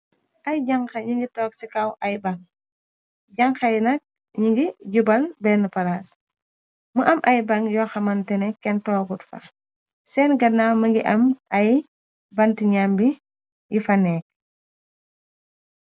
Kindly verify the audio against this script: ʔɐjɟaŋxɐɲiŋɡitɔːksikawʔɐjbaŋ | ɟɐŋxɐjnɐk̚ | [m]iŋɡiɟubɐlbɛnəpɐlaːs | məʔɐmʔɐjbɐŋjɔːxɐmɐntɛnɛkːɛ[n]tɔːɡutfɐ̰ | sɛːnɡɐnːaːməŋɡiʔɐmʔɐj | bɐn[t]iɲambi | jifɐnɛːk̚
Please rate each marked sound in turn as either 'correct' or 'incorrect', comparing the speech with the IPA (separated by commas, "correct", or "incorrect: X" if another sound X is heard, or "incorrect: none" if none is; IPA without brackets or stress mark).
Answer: incorrect: ɲ, correct, correct